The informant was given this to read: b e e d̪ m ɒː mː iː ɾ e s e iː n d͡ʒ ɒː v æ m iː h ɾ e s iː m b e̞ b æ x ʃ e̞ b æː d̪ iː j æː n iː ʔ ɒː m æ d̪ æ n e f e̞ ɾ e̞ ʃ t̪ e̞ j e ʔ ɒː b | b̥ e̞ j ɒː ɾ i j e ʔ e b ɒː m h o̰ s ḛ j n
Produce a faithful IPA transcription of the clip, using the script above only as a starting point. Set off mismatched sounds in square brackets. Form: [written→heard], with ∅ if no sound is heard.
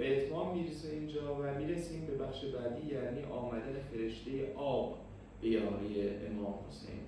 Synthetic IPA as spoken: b e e [d̪→t̪] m ɒː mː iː ɾ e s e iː n d͡ʒ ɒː v æ m iː [h→∅] ɾ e s iː m b e̞ b æ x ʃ e̞ b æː d̪ iː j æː n iː ʔ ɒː m æ d̪ æ n e f e̞ ɾ e̞ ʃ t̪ e̞ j e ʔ ɒː b | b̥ e̞ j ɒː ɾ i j e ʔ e [b→m] ɒː m h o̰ s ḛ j n